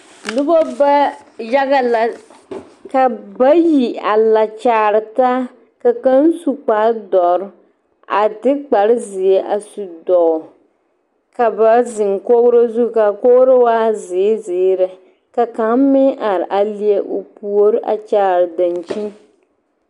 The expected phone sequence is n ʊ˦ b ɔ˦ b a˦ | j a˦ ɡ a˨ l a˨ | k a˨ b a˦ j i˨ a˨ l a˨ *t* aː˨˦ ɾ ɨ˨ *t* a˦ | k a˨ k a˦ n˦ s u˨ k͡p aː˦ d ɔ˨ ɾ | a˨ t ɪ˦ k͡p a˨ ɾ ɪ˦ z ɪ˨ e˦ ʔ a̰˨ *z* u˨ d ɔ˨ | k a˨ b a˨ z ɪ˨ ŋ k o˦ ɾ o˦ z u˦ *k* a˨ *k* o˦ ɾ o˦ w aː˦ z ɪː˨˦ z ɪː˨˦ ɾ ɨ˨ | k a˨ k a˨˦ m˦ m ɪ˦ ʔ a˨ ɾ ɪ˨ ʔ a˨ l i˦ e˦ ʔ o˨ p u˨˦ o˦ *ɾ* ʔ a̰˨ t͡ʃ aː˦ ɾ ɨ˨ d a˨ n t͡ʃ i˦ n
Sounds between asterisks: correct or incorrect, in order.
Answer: incorrect, correct, incorrect, correct, correct, correct

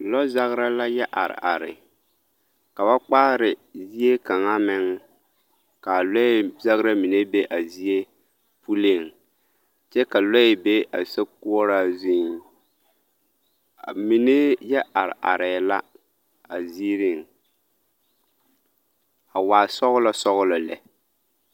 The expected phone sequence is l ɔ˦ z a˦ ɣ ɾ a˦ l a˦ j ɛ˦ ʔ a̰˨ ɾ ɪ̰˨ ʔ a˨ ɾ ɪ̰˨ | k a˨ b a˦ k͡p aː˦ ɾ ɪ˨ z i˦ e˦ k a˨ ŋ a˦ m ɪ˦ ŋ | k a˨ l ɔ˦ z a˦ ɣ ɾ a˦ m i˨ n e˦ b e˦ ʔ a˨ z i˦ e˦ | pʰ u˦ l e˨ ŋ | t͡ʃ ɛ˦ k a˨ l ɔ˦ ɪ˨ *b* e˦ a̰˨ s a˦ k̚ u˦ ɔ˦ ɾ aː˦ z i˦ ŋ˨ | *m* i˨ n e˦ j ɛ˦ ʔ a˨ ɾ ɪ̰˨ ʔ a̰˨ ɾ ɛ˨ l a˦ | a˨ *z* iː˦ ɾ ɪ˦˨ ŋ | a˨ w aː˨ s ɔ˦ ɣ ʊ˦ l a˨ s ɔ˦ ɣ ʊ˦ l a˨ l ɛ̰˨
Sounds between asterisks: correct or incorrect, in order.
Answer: correct, correct, correct

